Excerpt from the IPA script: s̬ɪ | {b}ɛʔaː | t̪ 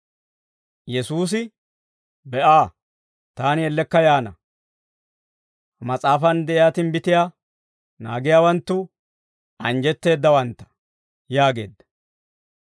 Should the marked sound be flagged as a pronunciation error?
no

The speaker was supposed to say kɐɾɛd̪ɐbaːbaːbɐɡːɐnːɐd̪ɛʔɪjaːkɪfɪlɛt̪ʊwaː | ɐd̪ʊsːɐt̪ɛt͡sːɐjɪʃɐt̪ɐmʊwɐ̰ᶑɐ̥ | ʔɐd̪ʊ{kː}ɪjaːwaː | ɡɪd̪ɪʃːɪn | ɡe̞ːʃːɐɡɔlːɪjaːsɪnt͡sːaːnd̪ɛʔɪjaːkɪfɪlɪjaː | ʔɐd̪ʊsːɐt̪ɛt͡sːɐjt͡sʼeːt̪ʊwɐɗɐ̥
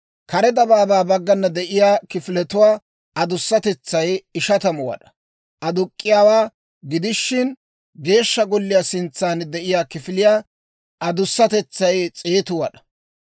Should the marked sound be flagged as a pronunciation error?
yes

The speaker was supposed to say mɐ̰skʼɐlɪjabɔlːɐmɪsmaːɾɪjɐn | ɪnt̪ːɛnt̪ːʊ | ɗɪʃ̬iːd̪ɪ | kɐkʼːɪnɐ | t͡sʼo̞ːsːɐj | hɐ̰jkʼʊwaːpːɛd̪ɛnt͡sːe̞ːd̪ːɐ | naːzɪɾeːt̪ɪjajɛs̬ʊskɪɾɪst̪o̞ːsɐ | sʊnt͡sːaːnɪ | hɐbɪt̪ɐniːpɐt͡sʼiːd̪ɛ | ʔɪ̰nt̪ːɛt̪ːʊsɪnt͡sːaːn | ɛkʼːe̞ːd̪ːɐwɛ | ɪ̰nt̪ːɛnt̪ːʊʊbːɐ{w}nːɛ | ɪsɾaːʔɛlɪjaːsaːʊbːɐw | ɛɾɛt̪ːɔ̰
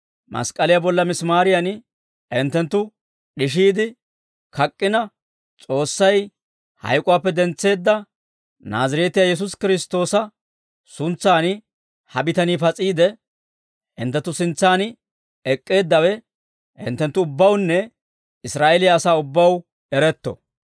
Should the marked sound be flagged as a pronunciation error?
no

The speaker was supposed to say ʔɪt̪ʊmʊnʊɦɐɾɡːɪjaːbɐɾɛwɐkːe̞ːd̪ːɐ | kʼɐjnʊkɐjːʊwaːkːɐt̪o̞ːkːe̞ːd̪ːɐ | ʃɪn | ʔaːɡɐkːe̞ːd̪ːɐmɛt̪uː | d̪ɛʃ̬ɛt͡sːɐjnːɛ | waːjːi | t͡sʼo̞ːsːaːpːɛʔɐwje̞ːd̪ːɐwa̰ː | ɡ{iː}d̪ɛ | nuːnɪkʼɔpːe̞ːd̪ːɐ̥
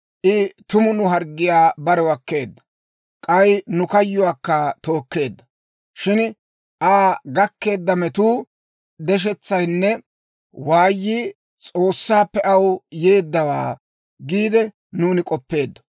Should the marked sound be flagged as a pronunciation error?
no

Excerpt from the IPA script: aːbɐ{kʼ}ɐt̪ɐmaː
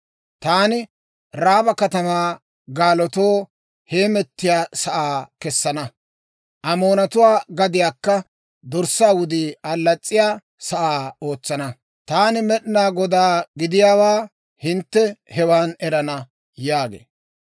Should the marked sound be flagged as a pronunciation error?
yes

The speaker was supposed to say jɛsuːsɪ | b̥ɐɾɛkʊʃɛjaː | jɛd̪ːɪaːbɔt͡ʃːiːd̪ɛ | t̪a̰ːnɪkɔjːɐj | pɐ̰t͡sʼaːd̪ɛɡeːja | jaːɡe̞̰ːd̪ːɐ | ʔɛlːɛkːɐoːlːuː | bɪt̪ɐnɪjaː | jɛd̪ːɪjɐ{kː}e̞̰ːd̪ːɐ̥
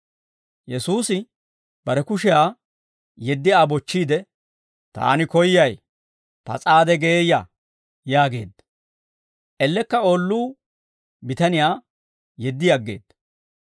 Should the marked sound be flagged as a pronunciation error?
yes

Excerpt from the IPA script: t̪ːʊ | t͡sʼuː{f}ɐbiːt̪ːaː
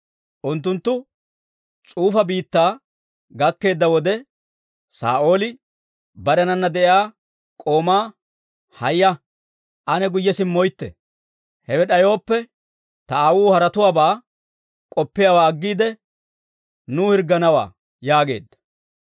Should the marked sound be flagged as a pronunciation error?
no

